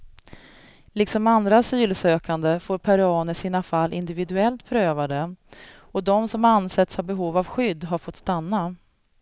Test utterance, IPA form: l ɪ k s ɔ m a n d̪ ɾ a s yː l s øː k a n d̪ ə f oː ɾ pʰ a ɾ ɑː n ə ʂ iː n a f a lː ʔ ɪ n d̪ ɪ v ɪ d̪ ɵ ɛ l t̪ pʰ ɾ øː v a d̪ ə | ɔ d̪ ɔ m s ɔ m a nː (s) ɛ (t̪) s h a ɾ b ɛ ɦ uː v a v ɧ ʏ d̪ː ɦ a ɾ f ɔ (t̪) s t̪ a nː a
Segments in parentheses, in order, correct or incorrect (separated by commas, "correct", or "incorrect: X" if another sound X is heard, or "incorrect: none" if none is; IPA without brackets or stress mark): correct, correct, correct